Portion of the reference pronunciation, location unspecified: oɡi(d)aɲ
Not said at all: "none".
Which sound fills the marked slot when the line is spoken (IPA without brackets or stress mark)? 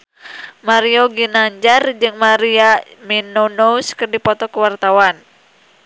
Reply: n